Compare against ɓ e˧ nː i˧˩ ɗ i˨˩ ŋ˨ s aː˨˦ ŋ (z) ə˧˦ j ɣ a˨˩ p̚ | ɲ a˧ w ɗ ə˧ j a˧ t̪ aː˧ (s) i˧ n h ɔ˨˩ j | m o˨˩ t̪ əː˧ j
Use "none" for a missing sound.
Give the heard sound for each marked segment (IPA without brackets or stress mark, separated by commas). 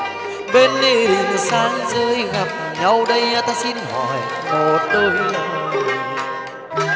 z, s